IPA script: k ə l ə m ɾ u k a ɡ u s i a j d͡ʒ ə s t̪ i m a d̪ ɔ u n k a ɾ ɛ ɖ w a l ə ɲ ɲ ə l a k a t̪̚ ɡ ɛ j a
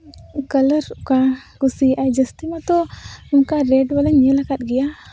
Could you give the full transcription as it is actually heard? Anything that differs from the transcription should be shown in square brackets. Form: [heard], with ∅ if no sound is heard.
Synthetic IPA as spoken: k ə l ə [∅] ɾ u k a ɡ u s i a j d͡ʒ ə s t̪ i m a [t̪] ɔ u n k a ɾ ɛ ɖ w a l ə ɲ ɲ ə l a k a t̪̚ ɡ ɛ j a